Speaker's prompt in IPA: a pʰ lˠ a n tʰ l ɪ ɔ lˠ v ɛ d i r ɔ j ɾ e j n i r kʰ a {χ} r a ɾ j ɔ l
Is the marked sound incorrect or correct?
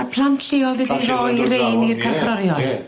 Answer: correct